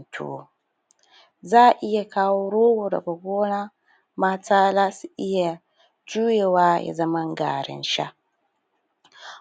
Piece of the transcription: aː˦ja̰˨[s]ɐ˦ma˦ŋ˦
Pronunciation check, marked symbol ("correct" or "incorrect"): incorrect